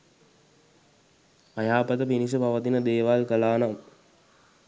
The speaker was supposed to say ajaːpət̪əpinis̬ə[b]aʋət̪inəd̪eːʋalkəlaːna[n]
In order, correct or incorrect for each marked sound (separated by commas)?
incorrect, incorrect